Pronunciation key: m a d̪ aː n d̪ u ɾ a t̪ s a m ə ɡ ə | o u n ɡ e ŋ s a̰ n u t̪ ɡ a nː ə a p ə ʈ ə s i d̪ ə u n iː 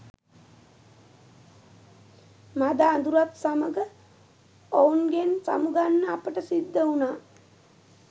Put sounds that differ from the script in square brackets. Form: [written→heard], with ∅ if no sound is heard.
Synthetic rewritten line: m a d̪ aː n d̪ u ɾ a t̪ s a m ə ɡ ə | o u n ɡ e [ŋ→n] s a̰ [n→m] u [t̪→∅] ɡ a nː ə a p ə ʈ ə s i [d̪→d̪ː] ə u n [iː→aː]

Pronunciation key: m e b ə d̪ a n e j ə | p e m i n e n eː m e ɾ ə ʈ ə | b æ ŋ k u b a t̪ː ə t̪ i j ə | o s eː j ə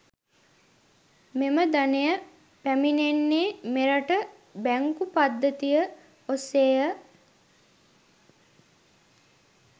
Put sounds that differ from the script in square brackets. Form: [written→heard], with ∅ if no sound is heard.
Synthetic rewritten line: m e [b→m] ə d̪ a n e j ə | p [e→æ] m i n e [n→nː] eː m e ɾ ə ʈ ə | b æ ŋ k u [b→p] a [t̪ː→d̪ː] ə t̪ i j ə | o s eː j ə

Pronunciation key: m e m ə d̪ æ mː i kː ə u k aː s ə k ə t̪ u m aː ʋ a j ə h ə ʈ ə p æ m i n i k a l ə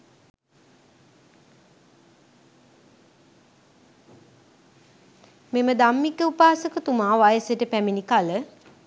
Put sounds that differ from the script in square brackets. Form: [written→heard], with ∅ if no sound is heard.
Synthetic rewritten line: m e m ə d̪ [æ→a] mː i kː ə u [k→p] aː s ə k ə t̪ u m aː ʋ a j ə [h→s] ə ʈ ə p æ m i n i k a l ə

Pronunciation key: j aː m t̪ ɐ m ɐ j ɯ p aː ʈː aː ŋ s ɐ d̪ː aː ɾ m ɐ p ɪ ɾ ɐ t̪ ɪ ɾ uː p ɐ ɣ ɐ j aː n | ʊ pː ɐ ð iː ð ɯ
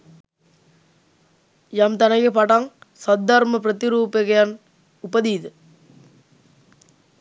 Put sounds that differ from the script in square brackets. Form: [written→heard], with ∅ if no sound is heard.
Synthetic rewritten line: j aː m t̪ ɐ [m→n] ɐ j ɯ p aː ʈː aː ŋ s ɐ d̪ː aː ɾ m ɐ p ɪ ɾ ɐ t̪ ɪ ɾ uː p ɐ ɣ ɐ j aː n | ʊ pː ɐ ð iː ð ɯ

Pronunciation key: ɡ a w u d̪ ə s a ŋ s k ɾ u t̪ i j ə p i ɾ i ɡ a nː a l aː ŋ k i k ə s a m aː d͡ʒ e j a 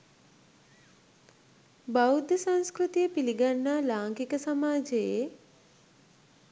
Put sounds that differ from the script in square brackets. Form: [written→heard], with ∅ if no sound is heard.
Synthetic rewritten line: [ɡ→b] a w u d̪ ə s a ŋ s k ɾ u t̪ i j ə p i [ɾ→l] i ɡ a nː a l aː ŋ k i k ə s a m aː d͡ʒ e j [a→e]

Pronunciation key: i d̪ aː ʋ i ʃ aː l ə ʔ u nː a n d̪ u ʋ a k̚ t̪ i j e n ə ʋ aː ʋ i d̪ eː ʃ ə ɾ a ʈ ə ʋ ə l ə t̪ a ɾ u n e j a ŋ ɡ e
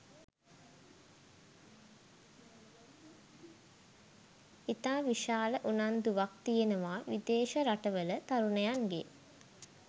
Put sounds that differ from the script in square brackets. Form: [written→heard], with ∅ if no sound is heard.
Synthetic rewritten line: i [d̪→t̪] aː ʋ i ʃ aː l ə ʔ u [nː→n] a n d̪ u ʋ a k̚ t̪ i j e n ə ʋ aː ʋ i d̪ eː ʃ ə ɾ a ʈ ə ʋ ə l ə t̪ a ɾ u n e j a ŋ ɡ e

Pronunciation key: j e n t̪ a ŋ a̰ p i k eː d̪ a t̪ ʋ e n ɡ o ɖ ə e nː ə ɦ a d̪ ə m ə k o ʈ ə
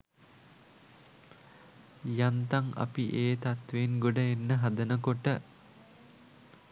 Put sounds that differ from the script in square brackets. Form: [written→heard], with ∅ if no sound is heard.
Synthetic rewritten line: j [e→a] n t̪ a ŋ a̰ p i [k→ʔ] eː [d̪→t̪] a t̪ ʋ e n ɡ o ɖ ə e nː ə ɦ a d̪ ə [m→n] ə k o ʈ ə

